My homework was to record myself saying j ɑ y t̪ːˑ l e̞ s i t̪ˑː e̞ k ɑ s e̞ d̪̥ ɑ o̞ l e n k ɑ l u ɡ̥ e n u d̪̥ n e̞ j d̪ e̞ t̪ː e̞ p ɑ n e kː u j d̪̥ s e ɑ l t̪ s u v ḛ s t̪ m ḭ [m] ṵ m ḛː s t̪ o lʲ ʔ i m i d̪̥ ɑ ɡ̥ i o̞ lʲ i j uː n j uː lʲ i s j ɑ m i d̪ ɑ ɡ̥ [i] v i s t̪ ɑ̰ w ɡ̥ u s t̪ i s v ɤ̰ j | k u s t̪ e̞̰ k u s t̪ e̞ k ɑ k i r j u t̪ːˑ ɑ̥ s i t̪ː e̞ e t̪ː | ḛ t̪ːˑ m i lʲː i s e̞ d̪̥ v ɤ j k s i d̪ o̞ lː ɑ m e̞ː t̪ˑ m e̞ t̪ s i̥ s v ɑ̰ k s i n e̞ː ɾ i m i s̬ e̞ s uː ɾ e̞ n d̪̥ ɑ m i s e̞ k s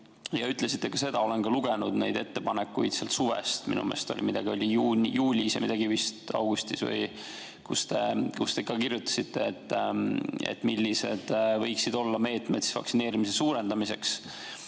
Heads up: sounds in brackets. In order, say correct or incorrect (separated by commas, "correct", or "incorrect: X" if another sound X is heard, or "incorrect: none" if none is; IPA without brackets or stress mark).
incorrect: n, correct